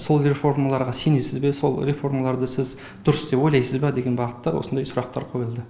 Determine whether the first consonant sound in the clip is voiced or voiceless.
voiceless